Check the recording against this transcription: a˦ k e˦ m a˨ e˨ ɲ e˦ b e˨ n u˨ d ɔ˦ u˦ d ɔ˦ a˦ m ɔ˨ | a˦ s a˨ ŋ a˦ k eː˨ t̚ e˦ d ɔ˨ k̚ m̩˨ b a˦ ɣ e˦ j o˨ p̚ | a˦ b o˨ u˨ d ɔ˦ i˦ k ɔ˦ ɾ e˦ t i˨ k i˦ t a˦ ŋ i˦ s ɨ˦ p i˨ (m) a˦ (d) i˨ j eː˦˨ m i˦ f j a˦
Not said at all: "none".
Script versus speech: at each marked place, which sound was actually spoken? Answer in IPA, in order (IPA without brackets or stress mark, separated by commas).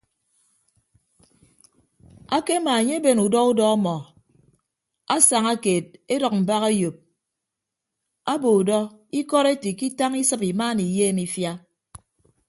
m, n